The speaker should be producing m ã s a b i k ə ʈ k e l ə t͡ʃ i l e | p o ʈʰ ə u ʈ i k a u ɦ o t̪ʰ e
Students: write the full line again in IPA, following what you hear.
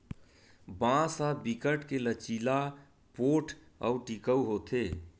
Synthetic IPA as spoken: b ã s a b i k ə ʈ k e l ə t͡ʃ i l a | p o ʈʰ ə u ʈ i k ə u ɦ o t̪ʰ e